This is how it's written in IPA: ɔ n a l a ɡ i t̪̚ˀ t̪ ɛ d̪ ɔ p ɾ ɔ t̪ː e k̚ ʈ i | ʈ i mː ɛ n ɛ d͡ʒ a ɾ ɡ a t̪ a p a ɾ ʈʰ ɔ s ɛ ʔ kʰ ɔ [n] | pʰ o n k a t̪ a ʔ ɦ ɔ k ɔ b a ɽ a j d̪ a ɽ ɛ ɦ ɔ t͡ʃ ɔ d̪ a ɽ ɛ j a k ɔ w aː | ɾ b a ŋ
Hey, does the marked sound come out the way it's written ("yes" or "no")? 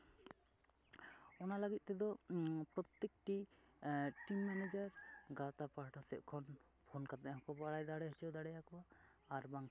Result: yes